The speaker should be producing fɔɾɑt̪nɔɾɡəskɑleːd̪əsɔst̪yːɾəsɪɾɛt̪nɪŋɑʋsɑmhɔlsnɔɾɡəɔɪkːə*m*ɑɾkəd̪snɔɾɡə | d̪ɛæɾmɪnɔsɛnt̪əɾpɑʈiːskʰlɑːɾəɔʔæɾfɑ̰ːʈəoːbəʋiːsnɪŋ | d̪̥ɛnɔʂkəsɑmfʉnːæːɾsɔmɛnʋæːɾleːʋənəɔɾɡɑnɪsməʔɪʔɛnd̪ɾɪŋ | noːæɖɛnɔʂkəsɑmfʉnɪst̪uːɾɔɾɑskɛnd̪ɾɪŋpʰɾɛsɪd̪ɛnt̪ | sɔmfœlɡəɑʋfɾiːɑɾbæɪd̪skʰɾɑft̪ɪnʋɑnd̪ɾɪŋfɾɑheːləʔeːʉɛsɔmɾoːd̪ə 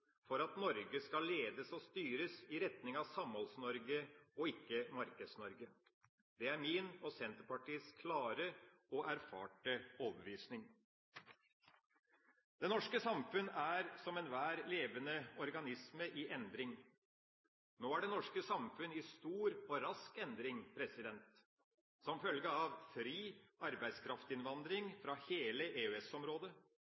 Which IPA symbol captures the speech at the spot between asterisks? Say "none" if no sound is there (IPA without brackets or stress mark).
m